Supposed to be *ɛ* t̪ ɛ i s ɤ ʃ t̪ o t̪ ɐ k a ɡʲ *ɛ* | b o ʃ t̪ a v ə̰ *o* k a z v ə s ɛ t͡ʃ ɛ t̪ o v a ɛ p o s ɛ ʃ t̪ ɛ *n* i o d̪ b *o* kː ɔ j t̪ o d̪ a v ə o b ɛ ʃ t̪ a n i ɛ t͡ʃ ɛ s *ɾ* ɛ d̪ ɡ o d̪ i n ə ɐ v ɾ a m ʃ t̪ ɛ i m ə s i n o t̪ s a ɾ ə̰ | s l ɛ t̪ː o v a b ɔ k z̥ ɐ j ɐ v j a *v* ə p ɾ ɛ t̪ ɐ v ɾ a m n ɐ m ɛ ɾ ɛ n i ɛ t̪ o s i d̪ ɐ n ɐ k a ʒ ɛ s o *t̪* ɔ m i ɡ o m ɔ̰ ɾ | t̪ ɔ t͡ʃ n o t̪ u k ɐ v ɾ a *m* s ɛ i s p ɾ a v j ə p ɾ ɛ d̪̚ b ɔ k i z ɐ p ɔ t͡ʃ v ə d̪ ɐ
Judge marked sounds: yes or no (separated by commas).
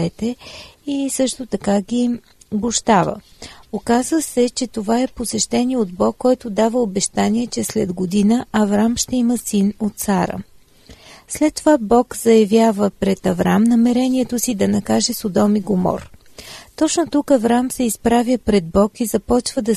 yes, no, yes, yes, no, no, yes, no, yes